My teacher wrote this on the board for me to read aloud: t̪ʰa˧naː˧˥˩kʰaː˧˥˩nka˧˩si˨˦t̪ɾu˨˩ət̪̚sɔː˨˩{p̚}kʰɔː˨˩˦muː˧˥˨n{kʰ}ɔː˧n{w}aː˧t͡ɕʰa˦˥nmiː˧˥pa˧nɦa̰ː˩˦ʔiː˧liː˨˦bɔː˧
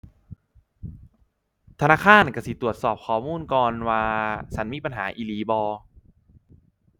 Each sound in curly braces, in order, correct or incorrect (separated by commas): correct, incorrect, correct